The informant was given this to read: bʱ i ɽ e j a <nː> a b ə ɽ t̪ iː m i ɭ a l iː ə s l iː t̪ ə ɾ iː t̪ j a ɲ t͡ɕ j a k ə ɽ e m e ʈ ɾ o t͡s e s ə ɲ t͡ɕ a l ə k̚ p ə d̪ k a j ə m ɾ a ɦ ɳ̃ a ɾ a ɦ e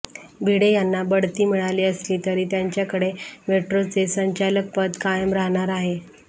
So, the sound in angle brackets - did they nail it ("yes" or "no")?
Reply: yes